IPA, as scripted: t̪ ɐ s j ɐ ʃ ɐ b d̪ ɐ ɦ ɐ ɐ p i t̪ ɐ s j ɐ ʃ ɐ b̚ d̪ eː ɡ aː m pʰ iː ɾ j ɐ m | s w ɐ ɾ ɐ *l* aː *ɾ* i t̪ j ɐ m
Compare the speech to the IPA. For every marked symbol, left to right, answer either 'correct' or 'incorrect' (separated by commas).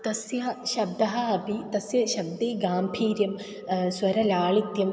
correct, incorrect